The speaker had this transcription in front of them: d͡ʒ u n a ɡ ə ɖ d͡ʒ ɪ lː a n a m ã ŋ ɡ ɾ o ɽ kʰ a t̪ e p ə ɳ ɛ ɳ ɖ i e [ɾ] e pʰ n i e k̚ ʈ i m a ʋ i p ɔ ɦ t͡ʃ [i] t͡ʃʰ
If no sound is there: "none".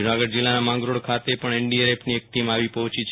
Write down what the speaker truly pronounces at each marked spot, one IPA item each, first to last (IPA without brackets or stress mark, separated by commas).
ɾ, i